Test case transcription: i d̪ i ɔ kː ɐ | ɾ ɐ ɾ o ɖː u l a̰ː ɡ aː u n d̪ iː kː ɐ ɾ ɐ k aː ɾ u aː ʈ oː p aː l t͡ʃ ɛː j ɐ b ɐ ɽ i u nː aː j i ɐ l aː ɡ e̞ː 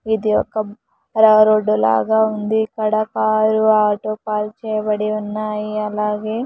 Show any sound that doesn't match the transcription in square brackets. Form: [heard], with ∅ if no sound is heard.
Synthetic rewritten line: i d̪ i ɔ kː ɐ | ɾ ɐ ɾ o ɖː u l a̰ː ɡ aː u n d̪ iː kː ɐ [ɽ] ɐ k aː ɾ u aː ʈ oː p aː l t͡ʃ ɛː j ɐ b ɐ ɽ i u nː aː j i ɐ l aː ɡ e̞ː